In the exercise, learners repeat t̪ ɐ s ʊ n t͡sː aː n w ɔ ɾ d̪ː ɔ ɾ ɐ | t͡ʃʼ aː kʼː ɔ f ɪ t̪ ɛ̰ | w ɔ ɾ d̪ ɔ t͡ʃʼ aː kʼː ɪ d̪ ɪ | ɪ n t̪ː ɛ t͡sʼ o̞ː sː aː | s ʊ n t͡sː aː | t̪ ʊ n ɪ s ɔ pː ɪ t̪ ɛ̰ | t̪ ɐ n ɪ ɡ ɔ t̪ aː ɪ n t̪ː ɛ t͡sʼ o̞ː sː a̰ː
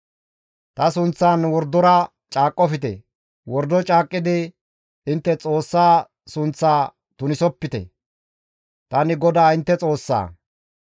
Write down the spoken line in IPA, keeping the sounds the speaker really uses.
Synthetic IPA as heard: t̪ ɐ s ʊ n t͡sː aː n w ɔ ɾ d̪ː ɔ ɾ ɐ | t͡ʃʼ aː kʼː ɔ f ɪ t̪ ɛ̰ | w ɔ ɾ d̪ ɔ t͡ʃʼ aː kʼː ɪ d̪ ɪ | ɪ n t̪ː ɛ t͡sʼ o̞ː sː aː | s ʊ n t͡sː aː | t̪ ʊ n ɪ s ɔ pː ɪ t̪ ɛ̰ | t̪ ɐ n ɪ ɡ ɔ d̪ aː ɪ n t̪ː ɛ t͡sʼ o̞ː sː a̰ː